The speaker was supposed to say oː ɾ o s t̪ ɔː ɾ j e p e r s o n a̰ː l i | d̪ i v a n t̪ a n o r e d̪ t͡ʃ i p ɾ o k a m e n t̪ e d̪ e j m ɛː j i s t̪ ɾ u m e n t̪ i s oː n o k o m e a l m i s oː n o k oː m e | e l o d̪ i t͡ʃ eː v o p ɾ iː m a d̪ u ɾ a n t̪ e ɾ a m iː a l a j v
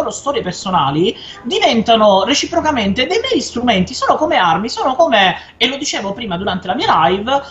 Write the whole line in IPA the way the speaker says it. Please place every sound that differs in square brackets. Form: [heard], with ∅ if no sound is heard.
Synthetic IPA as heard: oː ɾ o s t̪ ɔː ɾ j e p e r s o n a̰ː l i | d̪ i v [ɛ] n t̪ a n o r e [∅] t͡ʃ i p ɾ o k a m e n t̪ e d̪ e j m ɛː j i s t̪ ɾ u m e n t̪ i s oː n o k o m e a [r] m i s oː n o k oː m e | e l o d̪ i t͡ʃ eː v o p ɾ iː m a d̪ u ɾ a n t̪ e [l] a m iː a l a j v